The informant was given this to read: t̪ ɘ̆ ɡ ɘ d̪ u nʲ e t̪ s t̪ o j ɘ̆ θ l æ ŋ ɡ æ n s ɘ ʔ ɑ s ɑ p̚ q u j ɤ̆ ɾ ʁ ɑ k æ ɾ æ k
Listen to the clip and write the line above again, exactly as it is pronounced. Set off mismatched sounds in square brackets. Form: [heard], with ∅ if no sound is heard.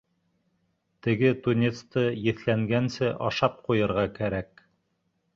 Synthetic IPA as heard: t̪ ɘ̆ ɡ ɘ [t̪] u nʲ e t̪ s t̪ [ɤ] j ɘ̆ θ l æ ŋ ɡ æ n s ɘ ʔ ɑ [ʃ] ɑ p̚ q u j ɤ̆ ɾ ʁ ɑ k æ ɾ æ k